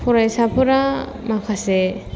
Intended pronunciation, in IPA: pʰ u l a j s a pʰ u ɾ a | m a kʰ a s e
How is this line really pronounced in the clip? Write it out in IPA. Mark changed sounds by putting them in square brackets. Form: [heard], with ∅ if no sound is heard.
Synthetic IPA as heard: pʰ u [ɾ] a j s a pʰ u ɾ a | m a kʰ a s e